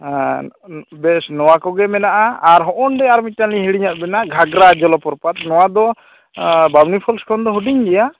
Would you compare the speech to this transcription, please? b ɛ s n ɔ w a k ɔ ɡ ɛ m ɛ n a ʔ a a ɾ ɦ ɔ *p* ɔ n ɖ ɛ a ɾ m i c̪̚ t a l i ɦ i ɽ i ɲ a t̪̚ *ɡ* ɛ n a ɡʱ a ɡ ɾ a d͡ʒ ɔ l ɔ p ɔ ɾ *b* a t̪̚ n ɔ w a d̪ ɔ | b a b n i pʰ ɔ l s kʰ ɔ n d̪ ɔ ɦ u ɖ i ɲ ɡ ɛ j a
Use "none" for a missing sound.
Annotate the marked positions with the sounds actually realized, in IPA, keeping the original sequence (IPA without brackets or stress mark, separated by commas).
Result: ʔ, b, p